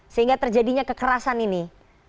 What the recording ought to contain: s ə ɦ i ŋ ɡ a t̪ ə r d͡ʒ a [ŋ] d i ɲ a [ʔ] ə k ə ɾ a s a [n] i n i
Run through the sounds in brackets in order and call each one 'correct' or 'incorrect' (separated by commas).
incorrect, incorrect, correct